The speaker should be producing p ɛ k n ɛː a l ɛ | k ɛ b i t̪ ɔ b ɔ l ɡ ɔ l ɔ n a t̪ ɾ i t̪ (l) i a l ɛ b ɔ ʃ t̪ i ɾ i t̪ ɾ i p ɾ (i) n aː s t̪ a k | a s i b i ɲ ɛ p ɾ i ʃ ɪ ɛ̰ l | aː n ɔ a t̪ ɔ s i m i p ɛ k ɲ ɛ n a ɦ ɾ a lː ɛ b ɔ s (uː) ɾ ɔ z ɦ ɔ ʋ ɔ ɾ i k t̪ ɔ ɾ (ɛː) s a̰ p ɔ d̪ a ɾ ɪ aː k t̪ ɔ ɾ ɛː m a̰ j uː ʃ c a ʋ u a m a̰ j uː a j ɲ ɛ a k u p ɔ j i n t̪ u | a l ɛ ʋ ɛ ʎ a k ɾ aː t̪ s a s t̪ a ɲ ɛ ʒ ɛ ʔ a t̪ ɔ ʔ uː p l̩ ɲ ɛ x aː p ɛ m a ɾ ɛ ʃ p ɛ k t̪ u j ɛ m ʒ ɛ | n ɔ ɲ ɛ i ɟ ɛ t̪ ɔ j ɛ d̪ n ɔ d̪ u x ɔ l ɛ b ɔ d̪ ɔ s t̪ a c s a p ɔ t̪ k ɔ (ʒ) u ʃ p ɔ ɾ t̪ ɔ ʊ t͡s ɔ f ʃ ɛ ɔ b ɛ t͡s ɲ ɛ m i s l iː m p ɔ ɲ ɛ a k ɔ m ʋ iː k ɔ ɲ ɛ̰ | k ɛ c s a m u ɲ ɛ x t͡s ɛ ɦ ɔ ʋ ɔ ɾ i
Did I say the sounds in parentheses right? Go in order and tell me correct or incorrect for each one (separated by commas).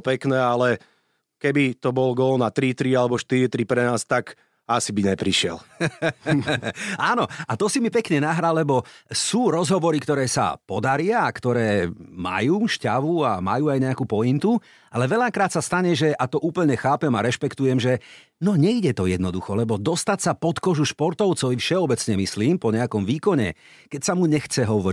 incorrect, incorrect, correct, correct, correct